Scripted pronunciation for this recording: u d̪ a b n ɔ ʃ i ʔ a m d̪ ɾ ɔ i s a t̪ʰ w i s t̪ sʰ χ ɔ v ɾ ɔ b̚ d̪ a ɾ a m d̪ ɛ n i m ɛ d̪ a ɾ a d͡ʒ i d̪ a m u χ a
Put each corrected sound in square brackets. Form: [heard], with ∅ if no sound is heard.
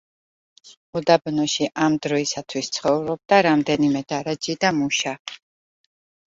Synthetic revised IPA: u d̪ a b n ɔ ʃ i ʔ a m d̪ ɾ ɔ i s a t̪ʰ w i s t̪ sʰ χ ɔ v ɾ ɔ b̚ d̪ a ɾ a m d̪ ɛ n i m ɛ d̪ a ɾ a d͡ʒ i d̪ a m u [ʃ] a